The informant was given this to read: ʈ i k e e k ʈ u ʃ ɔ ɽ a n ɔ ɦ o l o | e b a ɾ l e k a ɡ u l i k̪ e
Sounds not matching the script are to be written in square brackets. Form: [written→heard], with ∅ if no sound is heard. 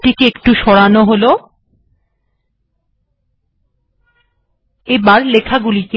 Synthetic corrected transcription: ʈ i k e e k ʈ u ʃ ɔ ɽ a n [ɔ→o] ɦ o l o | e b a ɾ l e [k→kʰ] a ɡ u l i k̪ e

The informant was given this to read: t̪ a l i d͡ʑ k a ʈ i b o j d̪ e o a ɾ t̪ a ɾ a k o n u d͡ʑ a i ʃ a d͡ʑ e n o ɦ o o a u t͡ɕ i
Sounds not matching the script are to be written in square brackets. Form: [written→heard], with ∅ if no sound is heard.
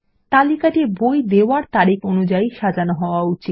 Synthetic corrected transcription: t̪ a l i [d͡ʑ→∅] k a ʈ i b o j d̪ e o a ɾ t̪ a ɾ [a→i] k o n u d͡ʑ a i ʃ a d͡ʑ [e→a] n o ɦ [o→ɔ] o a u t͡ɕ i

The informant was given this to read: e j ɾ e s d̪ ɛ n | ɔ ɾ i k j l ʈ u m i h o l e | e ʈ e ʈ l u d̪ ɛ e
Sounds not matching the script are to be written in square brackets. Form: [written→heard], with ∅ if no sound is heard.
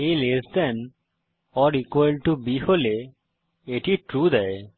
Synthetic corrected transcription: e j [ɾ→l] e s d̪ ɛ n | ɔ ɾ i k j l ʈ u [m→b] i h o l e | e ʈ [e→i] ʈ [l→ɾ] u d̪ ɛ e

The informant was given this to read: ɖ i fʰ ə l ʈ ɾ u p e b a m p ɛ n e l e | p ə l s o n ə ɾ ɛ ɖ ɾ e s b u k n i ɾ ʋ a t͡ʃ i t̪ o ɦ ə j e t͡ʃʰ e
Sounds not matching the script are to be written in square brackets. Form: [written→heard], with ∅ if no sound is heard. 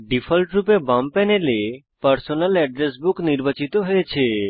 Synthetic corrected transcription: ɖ i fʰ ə l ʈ ɾ u p e b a m p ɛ n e l e | p ə [l→ɾ] s o n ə [ɾ→l] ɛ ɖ ɾ e s b u k n i ɾ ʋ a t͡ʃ i t̪ o ɦ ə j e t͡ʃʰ e

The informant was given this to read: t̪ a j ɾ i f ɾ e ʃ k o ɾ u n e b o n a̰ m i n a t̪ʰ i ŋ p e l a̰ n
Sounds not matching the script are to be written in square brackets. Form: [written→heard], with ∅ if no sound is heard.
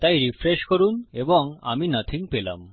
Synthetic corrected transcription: t̪ a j ɾ i f ɾ e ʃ k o ɾ u n e b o [n→ŋ] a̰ m i n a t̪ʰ i ŋ p e l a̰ [n→m]

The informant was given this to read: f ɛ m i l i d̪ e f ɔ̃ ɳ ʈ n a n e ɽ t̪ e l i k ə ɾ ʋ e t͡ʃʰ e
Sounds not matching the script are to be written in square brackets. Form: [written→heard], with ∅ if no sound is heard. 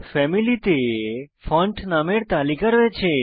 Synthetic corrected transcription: f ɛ m i l i [d̪→t̪] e f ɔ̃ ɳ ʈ n a [n→m] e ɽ t̪ [e→a] l i k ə ɾ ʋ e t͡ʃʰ e

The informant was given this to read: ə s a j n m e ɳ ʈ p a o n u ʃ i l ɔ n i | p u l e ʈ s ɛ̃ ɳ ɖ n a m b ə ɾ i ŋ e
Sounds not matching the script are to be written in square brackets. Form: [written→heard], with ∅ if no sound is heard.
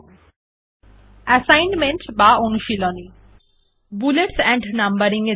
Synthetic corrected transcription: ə s a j n m e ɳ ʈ [p→b] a o n u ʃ i l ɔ n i | [p→b] u l e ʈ s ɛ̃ ɳ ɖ n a m b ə ɾ i ŋ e

